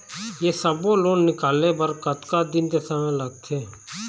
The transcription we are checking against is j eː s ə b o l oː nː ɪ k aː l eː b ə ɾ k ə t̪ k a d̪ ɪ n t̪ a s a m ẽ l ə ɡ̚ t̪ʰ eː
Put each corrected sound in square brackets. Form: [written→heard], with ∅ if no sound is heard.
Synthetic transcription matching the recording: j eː s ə b o l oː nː ɪ k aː l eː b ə ɾ k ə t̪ k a d̪ ɪ n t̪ [a→e] s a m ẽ l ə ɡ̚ t̪ʰ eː